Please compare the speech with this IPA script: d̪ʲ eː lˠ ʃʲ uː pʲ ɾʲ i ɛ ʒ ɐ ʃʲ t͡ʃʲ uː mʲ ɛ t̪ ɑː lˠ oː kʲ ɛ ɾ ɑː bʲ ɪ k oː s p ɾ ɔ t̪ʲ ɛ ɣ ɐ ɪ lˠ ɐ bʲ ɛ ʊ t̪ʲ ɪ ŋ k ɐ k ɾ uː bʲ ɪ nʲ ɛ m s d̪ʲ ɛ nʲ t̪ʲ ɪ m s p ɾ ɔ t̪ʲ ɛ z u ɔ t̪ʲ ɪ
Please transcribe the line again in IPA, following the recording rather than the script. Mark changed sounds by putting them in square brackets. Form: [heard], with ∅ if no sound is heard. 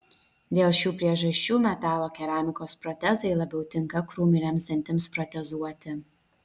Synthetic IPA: d̪ʲ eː lˠ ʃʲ uː pʲ ɾʲ i ɛ ʒ ɐ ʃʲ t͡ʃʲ uː mʲ ɛ t̪ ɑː lˠ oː kʲ ɛ ɾ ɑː [mʲ] ɪ k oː s p ɾ ɔ t̪ʲ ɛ [z] ɐ ɪ lˠ ɐ bʲ ɛ ʊ t̪ʲ ɪ ŋ k ɐ k ɾ uː [mʲ] ɪ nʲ ɛ m s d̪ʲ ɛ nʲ t̪ʲ ɪ m s p ɾ ɔ t̪ʲ ɛ z u ɔ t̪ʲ ɪ